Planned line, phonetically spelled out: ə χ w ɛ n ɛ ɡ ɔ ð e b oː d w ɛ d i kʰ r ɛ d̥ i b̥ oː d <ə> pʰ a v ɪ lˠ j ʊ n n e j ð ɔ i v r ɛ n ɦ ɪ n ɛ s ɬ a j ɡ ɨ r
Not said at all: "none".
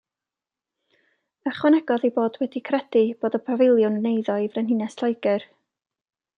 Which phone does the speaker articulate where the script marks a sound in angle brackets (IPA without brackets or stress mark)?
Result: ə